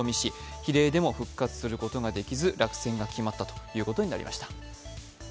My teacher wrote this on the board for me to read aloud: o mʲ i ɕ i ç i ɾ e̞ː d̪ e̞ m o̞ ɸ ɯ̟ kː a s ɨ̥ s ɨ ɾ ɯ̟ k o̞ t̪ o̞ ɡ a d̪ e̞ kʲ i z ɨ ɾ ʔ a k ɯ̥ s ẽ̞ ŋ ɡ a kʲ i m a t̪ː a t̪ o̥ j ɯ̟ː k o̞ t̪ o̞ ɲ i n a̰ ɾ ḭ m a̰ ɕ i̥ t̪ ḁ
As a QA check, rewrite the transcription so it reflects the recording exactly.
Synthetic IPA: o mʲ i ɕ i ç i ɾ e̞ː d̪ e̞ m o̞ ɸ ɯ̟ kː a t͡s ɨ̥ s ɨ ɾ ɯ̟ k o̞ t̪ o̞ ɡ a d̪ e̞ kʲ i z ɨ ɾ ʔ a k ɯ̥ s ẽ̞ ŋ ɡ a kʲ i m a t̪ː a t̪ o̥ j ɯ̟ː k o̞ t̪ o̞ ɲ i n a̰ ɾ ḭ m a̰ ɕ i̥ t̪ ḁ